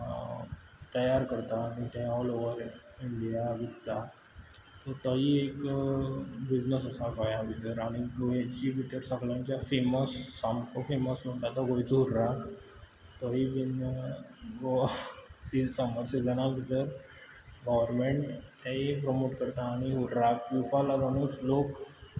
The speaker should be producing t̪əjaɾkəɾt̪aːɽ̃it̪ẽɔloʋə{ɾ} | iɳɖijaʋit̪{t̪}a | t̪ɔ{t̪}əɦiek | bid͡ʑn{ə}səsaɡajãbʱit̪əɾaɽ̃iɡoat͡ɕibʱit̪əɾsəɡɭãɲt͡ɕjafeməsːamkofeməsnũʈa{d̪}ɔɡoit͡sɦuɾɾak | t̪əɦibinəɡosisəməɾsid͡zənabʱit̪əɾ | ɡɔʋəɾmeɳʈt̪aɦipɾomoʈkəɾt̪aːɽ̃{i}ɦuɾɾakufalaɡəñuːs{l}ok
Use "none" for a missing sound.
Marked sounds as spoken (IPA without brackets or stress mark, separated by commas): ɾ, t̪, t̪, ə, t̪, i, l